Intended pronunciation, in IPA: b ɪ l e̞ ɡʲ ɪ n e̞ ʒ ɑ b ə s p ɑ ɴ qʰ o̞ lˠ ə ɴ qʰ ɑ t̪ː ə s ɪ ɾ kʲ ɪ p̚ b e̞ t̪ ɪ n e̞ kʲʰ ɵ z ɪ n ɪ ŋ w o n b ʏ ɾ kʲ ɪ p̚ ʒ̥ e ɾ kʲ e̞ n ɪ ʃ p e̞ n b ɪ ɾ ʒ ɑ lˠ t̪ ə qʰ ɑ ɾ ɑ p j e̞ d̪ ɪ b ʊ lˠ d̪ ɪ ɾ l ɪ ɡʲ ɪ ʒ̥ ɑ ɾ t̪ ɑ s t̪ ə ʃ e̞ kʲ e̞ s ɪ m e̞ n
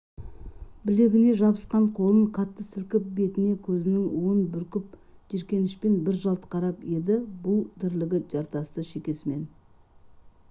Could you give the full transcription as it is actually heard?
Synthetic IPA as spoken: b ɪ l e̞ ɡʲ ɪ n e̞ ʒ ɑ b ə s q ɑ ɴ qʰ o̞ lˠ ə ɴ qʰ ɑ t̪ː ə s ɪ l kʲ ɪ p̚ b e̞ t̪ ɪ n e̞ kʲʰ ɵ z ɪ n ɪ ŋ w o n b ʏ ɾ kʲ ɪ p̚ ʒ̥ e ɾ kʲ e̞ n ɪ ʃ p e̞ n b ɪ ɾ ʒ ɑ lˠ t̪ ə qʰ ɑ ɾ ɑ p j e̞ d̪ ɪ b ʊ lˠ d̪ ɪ ɾ l ɪ ɡʲ ɪ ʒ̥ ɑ ɾ t̪ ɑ s t̪ ə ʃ e̞ kʲ e̞ s ɪ m e̞ n

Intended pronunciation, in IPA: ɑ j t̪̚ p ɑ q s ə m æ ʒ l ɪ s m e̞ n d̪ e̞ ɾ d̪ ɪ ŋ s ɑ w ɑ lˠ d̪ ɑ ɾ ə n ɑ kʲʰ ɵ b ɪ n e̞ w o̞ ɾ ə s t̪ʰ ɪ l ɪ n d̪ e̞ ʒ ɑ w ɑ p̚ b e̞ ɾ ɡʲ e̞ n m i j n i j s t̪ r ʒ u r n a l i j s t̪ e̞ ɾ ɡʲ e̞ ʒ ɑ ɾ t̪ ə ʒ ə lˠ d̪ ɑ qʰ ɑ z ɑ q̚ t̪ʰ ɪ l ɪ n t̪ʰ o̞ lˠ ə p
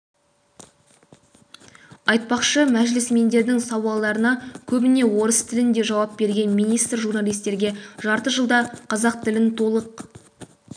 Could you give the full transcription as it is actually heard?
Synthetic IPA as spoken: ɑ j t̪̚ p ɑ q ʃ ə m æ ʒ l ɪ s m e̞ n d̪ e̞ ɾ d̪ ɪ ŋ s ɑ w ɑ lˠ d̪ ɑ ɾ ə n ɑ kʲʰ ɵ b ɪ n e̞ w o̞ ɾ ə s t̪ʰ ɪ l ɪ n d̪ e̞ ʒ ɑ w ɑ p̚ b e̞ ɾ ɡʲ e̞ n m i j n i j s t̪ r ʒ u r n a l i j s t̪ e̞ ɾ ɡʲ e̞ ʒ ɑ ɾ t̪ ə ʒ ə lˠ d̪ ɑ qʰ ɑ z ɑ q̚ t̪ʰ ɪ l ɪ n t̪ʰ o̞ lˠ ə q

